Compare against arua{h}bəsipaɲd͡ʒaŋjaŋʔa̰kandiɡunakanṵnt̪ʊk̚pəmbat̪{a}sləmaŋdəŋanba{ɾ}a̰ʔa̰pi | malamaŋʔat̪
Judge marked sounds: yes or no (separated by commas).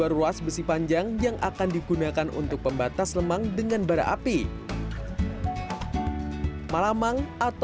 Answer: no, yes, yes